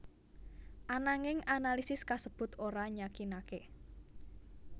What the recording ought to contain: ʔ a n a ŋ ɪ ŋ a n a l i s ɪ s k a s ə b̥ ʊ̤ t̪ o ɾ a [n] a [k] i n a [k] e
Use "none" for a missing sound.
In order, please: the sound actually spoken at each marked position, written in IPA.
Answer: ɲ, k, k

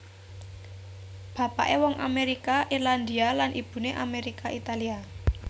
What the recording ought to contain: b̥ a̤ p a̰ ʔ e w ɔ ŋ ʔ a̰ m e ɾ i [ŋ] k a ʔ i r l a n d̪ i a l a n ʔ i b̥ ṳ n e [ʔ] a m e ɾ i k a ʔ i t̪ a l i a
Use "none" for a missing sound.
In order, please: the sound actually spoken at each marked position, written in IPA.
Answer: none, ʔ

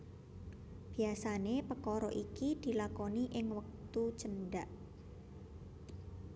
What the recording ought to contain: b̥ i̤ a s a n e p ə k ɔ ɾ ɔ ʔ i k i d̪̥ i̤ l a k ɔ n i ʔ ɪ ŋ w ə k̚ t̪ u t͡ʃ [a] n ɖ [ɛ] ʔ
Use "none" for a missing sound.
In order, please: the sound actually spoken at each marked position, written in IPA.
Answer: ə, a

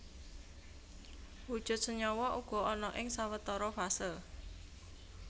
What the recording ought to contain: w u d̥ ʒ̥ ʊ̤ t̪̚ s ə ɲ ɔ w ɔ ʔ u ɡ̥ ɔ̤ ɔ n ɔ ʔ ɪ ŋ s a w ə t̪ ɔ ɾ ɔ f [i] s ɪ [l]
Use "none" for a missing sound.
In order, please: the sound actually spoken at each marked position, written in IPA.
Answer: a, l

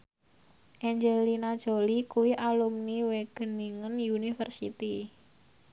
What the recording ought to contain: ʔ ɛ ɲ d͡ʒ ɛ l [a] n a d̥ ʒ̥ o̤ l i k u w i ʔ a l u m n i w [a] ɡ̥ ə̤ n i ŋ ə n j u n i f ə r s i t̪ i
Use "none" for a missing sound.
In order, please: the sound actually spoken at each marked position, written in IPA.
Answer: i, e

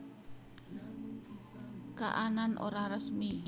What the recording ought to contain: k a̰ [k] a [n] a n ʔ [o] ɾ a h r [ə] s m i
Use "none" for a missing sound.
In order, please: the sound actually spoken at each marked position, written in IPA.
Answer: ʔ, n, o, ə

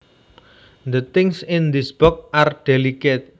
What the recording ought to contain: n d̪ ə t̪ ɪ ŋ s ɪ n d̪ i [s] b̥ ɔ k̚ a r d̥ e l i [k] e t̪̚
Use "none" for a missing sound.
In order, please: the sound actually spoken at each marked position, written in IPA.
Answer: s, k

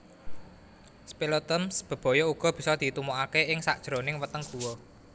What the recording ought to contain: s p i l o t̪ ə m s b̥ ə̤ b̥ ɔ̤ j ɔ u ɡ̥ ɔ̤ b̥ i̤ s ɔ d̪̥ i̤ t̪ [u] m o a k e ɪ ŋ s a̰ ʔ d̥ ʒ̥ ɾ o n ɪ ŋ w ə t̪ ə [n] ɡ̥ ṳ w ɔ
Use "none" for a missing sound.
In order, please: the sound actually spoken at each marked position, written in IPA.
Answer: u, ŋ

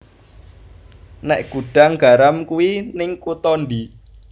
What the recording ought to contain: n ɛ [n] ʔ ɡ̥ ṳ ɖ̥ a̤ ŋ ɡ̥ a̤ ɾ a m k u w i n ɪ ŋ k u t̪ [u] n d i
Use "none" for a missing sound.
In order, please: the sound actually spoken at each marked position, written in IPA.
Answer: none, ɔ

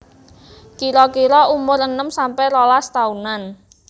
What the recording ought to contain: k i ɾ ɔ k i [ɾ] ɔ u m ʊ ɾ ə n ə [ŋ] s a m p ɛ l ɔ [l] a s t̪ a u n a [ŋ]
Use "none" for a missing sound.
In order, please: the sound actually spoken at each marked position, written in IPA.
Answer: ɾ, m, l, n

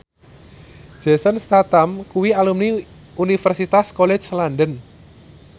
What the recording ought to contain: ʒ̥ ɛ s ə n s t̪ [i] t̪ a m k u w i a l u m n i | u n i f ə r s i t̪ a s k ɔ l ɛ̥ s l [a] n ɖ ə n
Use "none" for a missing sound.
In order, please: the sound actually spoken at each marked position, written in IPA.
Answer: a, a

